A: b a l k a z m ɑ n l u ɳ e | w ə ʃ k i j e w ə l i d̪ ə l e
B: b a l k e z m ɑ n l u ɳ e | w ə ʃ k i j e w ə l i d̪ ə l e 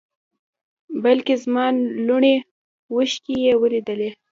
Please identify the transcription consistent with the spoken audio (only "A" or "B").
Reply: B